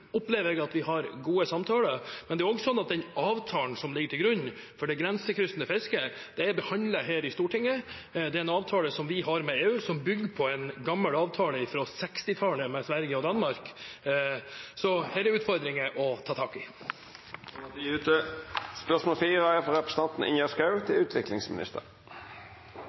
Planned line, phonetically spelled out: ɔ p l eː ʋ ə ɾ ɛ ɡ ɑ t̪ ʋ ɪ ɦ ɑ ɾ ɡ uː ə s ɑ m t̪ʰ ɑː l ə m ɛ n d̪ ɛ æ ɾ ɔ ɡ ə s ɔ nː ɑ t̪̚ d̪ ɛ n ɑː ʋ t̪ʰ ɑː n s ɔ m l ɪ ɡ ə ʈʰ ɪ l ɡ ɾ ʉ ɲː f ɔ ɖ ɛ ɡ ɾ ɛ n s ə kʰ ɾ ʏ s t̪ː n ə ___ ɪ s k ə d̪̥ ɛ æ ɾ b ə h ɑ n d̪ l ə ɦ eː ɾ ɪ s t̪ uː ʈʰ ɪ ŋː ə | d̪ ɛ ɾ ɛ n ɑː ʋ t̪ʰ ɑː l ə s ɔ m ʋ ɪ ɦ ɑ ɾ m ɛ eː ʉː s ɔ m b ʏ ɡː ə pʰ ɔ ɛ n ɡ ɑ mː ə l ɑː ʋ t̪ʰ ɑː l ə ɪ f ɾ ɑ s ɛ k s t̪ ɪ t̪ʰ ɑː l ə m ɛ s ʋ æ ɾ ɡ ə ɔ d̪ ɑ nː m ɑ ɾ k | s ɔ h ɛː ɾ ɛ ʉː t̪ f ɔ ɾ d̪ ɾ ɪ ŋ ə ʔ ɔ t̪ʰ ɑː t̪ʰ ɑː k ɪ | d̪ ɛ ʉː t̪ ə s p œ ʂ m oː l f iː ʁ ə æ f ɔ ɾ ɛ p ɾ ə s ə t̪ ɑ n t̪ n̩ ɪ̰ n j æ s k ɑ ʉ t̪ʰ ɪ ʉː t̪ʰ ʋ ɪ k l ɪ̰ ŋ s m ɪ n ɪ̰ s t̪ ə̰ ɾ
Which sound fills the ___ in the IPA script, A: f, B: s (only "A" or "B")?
A